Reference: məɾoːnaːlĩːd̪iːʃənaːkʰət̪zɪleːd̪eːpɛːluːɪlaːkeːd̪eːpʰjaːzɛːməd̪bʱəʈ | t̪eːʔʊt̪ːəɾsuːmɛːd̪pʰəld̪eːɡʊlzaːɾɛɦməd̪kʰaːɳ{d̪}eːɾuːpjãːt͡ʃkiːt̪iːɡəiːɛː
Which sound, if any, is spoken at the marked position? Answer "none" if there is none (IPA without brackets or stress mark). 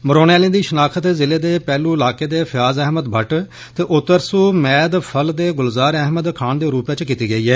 d̪